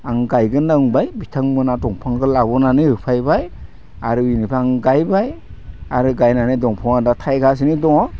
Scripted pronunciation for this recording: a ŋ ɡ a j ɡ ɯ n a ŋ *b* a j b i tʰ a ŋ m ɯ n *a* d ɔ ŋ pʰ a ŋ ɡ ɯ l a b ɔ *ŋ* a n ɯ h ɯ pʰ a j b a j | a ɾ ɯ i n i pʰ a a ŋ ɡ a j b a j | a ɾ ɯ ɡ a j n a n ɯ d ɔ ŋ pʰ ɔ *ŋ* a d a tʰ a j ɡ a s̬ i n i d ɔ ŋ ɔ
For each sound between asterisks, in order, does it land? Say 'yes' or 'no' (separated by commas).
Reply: yes, yes, no, yes